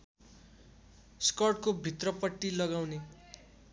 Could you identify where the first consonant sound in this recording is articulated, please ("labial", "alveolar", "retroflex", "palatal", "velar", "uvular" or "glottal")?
alveolar